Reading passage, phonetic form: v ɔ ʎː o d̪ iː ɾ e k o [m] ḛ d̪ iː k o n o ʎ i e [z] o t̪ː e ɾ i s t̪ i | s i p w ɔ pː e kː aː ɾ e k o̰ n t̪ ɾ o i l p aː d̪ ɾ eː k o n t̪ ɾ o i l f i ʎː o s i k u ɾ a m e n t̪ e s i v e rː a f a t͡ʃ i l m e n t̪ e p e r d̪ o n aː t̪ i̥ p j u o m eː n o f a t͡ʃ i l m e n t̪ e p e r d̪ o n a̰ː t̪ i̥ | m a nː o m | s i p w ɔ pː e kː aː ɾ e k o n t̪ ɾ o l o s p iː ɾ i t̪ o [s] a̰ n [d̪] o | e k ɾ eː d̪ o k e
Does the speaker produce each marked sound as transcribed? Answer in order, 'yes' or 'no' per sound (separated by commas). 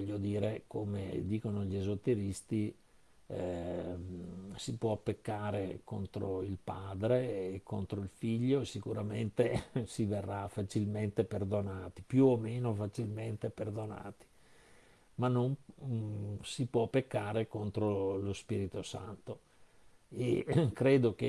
yes, yes, yes, no